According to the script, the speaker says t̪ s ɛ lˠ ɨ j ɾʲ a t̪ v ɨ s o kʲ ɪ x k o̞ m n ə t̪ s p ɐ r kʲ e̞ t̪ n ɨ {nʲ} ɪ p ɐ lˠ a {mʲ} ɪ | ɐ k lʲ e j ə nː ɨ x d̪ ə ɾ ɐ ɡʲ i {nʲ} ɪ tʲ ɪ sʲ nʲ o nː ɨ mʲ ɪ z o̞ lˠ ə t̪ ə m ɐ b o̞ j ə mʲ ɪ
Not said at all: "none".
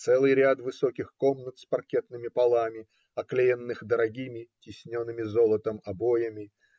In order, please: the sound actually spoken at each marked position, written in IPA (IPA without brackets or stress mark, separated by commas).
mʲ, mʲ, mʲ